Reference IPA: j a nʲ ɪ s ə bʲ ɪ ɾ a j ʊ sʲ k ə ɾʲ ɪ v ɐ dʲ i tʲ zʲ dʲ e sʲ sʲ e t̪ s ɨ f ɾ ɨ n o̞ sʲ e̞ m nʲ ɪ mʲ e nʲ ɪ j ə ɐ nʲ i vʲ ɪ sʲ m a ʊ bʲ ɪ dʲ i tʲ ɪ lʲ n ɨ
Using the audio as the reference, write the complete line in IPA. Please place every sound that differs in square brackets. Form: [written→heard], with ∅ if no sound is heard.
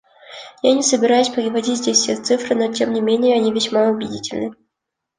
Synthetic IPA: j a nʲ ɪ s ə bʲ ɪ ɾ a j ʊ sʲ [k→p] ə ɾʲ ɪ v ɐ dʲ i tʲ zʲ dʲ e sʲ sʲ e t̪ s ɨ f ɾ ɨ n o̞ [sʲ→tʲ] e̞ m nʲ ɪ mʲ e nʲ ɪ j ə ɐ nʲ i vʲ ɪ sʲ m a ʊ bʲ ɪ dʲ i tʲ ɪ lʲ n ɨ